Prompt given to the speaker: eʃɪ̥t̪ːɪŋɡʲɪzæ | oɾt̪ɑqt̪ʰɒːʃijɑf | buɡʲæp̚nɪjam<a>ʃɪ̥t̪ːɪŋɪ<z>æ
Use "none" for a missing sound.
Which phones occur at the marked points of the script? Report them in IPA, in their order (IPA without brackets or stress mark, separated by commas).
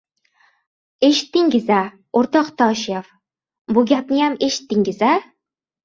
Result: e, z